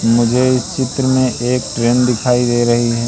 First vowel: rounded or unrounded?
rounded